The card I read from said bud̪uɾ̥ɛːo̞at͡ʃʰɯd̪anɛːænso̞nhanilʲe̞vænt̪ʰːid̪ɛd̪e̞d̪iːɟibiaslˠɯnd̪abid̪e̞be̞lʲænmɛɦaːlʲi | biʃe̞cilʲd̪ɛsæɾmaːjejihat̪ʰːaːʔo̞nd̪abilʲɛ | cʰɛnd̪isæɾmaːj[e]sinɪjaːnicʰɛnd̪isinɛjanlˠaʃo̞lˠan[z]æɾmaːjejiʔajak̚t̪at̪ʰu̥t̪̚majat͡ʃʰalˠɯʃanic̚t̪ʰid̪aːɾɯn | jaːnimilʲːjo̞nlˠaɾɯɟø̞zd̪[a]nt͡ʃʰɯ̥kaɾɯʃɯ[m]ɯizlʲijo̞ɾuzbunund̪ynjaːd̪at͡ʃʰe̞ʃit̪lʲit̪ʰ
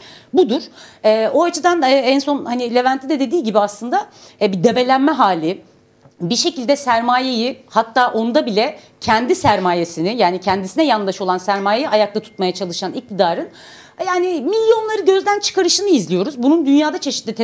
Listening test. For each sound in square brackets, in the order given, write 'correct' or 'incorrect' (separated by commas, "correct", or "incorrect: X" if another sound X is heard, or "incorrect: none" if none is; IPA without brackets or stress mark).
correct, incorrect: s, incorrect: æ, incorrect: n